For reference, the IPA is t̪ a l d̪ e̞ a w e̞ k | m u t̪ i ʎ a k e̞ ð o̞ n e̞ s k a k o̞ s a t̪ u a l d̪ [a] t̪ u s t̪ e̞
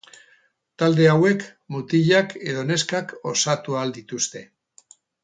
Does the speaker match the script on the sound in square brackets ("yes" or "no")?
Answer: no